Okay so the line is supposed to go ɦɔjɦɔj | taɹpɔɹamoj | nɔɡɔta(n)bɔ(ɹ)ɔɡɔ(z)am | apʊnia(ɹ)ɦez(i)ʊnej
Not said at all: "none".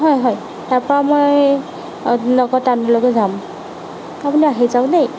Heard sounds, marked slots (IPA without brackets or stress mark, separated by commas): n, l, z, none, a